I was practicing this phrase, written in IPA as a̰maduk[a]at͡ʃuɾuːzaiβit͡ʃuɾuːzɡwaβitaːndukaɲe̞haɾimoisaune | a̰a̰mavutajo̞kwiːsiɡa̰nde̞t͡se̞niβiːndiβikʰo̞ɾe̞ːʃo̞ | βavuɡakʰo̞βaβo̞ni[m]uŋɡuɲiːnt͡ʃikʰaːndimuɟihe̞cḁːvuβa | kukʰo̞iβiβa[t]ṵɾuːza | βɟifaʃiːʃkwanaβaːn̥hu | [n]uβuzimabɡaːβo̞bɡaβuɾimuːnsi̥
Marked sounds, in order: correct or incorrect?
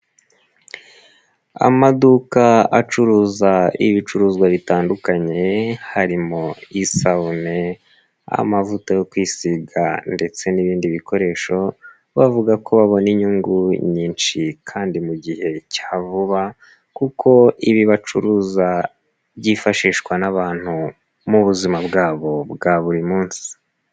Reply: correct, incorrect: ɲ, incorrect: t͡ʃ, incorrect: m

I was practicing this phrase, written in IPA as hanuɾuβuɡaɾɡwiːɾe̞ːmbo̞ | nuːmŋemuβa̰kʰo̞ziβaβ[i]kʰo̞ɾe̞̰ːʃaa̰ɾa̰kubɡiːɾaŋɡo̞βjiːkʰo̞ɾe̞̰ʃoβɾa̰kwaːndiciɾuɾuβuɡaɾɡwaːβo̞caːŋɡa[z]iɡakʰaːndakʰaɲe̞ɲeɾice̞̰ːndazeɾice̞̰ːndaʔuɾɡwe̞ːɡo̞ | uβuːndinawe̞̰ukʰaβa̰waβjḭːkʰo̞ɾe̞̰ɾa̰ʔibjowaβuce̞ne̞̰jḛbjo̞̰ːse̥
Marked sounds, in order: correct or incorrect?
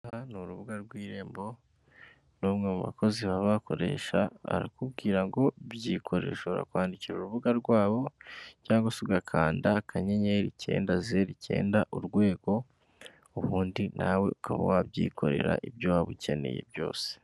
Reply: incorrect: a, incorrect: s

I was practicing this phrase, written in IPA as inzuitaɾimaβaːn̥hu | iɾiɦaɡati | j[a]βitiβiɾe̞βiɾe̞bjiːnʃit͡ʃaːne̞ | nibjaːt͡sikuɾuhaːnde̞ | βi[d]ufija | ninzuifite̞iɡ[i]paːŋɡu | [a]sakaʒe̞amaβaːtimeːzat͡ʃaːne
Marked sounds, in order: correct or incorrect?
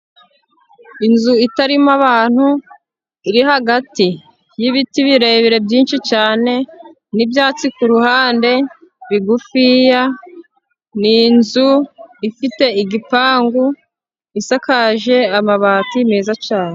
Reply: incorrect: i, incorrect: ɡ, correct, incorrect: i

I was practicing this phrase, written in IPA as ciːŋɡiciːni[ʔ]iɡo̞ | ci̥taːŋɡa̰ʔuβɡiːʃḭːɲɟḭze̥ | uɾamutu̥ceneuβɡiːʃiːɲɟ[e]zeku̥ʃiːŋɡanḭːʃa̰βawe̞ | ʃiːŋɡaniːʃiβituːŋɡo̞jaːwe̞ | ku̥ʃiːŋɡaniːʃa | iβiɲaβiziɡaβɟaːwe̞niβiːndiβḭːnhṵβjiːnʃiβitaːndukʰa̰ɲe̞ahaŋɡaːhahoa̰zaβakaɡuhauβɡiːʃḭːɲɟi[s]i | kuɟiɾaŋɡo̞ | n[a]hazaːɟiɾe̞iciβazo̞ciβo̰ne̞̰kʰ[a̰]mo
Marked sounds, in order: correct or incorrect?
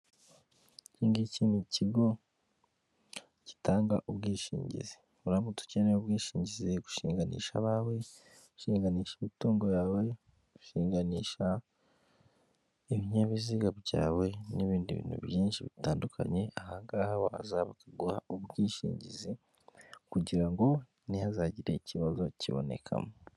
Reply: incorrect: c, incorrect: i, incorrect: z, incorrect: i, correct

